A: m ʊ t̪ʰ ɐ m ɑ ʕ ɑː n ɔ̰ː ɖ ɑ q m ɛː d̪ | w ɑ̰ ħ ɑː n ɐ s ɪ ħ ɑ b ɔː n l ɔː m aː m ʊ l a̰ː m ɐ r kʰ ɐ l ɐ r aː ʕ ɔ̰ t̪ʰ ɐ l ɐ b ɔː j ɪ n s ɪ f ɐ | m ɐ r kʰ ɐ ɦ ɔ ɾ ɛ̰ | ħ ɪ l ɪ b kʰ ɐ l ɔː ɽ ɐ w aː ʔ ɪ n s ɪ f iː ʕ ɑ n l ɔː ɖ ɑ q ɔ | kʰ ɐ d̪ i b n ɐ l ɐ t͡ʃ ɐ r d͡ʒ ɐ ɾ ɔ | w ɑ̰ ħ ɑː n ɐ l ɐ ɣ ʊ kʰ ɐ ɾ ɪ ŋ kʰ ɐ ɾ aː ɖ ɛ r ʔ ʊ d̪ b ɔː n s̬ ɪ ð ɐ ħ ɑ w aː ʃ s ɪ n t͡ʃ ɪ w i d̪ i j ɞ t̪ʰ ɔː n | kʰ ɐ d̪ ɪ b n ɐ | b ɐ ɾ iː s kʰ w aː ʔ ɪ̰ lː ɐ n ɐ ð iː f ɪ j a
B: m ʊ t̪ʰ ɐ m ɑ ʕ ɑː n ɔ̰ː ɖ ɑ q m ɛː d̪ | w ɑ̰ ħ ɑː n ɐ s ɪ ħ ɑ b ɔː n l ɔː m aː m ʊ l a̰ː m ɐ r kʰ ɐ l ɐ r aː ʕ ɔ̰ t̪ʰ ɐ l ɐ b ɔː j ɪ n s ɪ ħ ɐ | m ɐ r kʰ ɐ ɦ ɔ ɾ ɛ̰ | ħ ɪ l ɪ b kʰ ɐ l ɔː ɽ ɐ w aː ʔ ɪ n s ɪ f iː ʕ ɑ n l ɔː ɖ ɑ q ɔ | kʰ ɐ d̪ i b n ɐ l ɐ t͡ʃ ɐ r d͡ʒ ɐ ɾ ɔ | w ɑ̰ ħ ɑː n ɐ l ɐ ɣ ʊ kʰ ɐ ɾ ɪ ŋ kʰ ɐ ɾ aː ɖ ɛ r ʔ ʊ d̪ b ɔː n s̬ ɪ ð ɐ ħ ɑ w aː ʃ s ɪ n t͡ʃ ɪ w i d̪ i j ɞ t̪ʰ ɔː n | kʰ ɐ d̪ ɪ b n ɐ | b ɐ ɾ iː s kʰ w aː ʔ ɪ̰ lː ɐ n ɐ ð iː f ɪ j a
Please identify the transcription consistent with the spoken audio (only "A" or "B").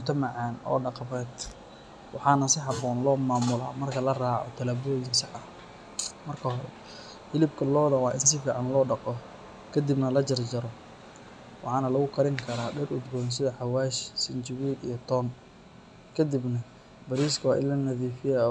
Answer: B